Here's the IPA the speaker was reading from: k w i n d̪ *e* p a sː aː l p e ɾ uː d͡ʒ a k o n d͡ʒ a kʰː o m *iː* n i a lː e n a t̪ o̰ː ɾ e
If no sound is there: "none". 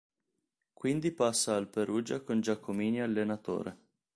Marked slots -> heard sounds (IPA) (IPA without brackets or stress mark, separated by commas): i, iː